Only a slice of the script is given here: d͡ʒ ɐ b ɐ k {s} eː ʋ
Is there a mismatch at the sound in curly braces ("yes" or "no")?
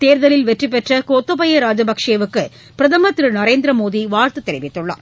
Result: yes